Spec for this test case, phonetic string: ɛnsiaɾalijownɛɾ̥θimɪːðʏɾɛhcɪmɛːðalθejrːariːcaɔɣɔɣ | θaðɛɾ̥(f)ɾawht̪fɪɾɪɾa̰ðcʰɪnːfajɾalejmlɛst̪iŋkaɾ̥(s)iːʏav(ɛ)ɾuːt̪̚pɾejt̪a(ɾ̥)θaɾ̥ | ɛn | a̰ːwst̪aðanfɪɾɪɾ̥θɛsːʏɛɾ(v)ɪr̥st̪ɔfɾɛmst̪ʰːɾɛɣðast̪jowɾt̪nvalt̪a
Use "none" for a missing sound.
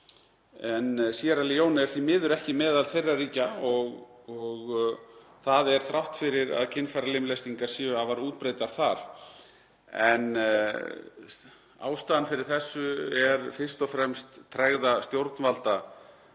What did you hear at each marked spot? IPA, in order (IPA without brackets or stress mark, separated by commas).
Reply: θ, s, a, ɾ̥, f